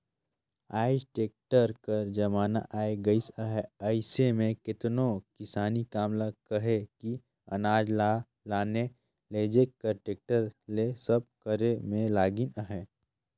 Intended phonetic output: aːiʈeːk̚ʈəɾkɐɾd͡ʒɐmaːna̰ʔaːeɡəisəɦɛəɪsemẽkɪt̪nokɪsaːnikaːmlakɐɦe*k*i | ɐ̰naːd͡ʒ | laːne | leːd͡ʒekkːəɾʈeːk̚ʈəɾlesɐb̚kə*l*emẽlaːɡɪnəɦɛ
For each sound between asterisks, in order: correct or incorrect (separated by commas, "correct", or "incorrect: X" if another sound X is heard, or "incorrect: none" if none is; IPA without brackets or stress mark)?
correct, incorrect: ɾ